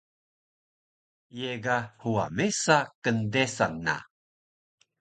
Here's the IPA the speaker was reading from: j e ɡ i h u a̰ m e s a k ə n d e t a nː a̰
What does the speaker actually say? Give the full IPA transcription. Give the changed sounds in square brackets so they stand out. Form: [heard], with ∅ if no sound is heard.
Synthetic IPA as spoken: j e ɡ [a] h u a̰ m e s a k ə n d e [s] a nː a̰